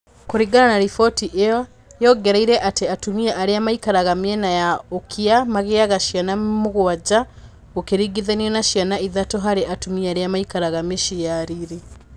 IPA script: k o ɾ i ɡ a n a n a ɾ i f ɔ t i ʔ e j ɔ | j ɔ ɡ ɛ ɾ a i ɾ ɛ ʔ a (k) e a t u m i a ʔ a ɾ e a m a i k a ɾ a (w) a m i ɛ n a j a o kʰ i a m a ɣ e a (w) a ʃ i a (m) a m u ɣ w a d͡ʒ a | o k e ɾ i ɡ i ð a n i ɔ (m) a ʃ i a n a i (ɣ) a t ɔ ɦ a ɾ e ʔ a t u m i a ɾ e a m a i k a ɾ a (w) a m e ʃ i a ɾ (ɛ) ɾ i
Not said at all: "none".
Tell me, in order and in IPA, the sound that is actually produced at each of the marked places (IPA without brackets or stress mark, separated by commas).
t, ɣ, ɣ, n, n, ð, ɣ, i